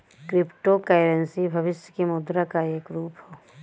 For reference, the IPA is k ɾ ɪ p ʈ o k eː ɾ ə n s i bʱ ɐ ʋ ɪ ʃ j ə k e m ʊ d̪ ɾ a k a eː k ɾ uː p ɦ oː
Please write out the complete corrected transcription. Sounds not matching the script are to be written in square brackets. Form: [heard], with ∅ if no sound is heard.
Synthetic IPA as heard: k ɾ ɪ p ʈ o k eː ɾ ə n s i bʱ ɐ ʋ ɪ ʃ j ə k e m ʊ d̪ ɾ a k a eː k ɾ uː p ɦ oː